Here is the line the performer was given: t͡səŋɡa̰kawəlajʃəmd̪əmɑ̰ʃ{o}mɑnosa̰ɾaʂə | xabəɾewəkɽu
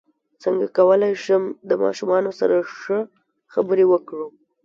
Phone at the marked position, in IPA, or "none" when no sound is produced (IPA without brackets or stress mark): u